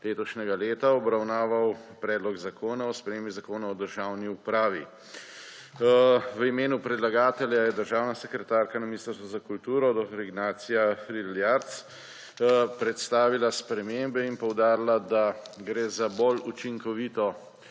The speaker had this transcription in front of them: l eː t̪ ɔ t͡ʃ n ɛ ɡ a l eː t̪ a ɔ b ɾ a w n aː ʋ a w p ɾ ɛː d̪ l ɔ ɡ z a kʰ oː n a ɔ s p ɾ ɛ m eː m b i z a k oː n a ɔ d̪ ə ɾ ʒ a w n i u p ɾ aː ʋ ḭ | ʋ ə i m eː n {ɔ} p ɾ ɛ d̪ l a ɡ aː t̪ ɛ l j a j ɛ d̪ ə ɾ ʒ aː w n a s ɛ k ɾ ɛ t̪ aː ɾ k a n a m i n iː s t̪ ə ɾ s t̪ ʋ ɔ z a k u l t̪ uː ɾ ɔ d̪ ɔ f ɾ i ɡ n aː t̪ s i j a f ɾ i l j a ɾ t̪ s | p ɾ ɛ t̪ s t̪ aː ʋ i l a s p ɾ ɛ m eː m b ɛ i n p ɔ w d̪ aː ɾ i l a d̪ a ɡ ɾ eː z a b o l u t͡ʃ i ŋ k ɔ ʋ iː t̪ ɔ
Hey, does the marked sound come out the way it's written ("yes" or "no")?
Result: no